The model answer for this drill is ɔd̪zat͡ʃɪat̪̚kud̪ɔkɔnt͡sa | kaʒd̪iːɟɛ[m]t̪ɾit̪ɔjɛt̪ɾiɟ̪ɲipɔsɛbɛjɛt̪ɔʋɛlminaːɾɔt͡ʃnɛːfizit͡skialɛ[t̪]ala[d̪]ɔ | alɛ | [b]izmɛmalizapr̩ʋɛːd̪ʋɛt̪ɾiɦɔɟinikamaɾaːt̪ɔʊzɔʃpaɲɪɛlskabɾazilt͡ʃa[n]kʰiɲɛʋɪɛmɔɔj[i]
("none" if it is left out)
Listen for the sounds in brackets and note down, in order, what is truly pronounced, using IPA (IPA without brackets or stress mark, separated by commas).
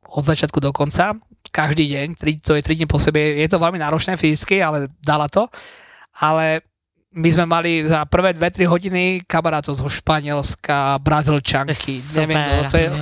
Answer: ɲ, d̪, t̪, m, ŋ, ɛ